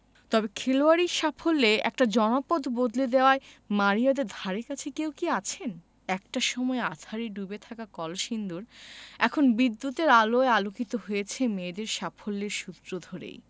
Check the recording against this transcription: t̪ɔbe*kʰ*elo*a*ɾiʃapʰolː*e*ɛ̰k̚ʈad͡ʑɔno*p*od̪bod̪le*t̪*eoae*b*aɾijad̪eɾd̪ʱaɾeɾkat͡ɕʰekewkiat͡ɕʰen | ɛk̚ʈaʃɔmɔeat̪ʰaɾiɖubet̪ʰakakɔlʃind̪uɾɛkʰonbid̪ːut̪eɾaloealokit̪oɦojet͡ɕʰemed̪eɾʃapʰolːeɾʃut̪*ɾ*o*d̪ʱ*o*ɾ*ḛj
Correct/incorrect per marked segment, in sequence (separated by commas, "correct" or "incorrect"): correct, correct, correct, correct, incorrect, incorrect, correct, correct, correct